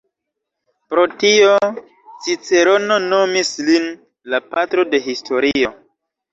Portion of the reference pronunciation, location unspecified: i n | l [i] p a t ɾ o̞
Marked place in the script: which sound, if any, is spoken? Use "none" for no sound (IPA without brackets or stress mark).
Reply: a